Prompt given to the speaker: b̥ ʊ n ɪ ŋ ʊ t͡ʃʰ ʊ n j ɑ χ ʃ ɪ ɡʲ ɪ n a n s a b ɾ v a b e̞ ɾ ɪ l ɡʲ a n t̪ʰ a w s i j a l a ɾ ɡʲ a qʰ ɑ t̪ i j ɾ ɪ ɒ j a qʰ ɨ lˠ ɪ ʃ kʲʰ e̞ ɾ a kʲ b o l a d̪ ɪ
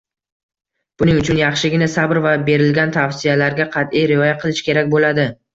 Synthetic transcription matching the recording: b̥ ʊ n ɪ ŋ ʊ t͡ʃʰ ʊ n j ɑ χ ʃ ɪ ɡʲ ɪ n a s a b ɾ v a b e̞ ɾ ɪ l ɡʲ a n t̪ʰ a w s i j a l a ɾ ɡʲ a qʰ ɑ t̪ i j ɾ ɪ ɒ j a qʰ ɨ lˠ ɪ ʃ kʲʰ e̞ ɾ a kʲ b o l a d̪ ɪ